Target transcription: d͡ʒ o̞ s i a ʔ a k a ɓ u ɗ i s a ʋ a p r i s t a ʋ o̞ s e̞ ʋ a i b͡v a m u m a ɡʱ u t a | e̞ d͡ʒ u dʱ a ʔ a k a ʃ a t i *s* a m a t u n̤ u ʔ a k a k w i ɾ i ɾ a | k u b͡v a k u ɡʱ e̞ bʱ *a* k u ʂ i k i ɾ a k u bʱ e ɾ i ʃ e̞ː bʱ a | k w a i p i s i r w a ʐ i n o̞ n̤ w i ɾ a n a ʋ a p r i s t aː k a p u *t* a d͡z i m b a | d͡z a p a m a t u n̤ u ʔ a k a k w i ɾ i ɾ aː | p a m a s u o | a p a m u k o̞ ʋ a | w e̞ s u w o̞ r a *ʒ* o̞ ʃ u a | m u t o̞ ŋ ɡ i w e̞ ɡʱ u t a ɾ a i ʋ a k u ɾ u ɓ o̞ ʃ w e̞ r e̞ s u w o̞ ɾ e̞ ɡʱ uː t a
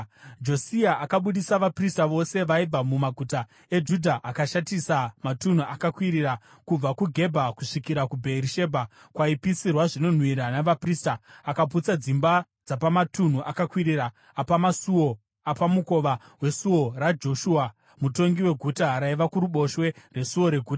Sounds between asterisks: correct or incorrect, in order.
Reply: correct, correct, incorrect: t͡s, incorrect: d͡ʒ

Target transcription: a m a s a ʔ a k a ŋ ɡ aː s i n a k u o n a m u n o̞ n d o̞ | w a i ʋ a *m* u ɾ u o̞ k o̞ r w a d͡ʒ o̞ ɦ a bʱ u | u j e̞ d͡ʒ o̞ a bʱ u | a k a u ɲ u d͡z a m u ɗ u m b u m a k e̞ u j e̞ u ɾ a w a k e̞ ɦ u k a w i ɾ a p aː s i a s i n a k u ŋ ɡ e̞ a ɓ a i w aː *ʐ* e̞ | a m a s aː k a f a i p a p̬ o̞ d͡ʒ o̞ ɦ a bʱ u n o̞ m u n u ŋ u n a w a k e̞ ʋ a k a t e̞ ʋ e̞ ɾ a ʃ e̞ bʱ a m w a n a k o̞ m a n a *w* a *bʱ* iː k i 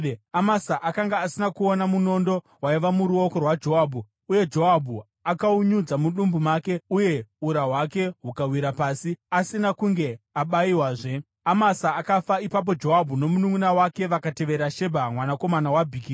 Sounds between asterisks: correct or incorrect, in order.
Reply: correct, correct, correct, correct

